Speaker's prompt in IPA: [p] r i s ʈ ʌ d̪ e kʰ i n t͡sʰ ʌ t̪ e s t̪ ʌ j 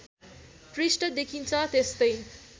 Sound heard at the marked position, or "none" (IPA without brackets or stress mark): p